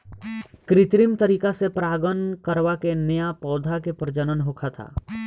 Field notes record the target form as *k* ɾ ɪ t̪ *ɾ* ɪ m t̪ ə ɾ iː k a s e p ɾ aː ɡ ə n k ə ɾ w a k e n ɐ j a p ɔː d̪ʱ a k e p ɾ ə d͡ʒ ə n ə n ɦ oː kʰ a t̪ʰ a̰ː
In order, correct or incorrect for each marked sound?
correct, correct

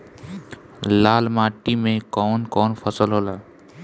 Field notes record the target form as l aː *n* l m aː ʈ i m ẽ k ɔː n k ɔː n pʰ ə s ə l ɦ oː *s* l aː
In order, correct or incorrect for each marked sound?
incorrect: none, incorrect: none

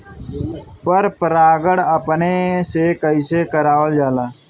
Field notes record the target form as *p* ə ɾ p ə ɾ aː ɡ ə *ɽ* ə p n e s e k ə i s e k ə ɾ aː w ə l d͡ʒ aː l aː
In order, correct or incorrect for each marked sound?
correct, correct

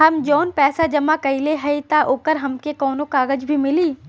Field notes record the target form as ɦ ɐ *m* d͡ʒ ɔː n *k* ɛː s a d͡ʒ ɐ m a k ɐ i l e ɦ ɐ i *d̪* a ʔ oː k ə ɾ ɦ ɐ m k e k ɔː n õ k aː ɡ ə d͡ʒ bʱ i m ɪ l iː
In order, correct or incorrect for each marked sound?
correct, incorrect: p, incorrect: t̪

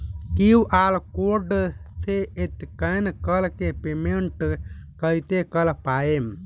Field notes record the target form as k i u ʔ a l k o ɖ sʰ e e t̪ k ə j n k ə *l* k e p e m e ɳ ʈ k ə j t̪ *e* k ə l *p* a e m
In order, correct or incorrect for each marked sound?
correct, correct, correct

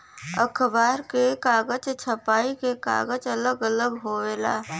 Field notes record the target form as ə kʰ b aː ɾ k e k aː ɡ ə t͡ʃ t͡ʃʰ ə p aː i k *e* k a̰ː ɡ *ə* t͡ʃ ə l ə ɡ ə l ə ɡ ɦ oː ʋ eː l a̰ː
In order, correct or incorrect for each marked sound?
correct, correct

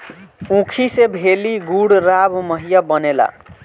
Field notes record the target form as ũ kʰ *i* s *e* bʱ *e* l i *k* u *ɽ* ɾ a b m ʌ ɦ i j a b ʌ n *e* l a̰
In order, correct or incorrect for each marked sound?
correct, correct, correct, incorrect: ɡ, correct, correct

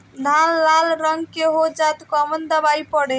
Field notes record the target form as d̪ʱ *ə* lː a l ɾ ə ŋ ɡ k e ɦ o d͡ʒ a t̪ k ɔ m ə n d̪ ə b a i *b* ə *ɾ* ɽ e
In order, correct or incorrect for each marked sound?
incorrect: a, incorrect: p, incorrect: none

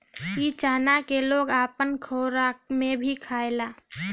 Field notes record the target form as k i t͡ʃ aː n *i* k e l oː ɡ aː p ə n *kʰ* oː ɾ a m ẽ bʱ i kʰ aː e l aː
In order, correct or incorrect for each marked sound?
incorrect: a, correct

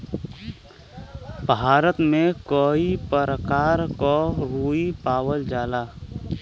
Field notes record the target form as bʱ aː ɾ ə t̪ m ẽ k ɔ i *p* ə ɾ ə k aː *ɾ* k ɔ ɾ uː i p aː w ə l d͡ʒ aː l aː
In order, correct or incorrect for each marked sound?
correct, correct

